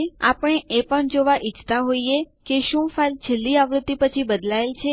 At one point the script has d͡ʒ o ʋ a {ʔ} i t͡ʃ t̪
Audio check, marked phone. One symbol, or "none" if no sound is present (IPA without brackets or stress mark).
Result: ʔ